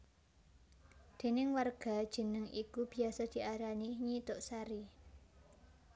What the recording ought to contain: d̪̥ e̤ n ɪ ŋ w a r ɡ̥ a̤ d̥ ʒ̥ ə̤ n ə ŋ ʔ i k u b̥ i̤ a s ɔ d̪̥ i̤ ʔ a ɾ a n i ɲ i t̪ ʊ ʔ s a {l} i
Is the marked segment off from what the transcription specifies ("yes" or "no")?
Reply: yes